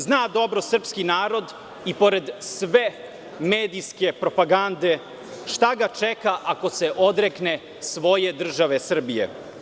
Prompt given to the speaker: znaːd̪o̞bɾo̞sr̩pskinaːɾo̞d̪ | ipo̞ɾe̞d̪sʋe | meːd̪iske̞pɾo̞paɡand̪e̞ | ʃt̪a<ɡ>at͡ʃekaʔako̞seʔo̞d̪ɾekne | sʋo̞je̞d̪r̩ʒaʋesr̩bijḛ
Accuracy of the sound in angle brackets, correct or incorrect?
correct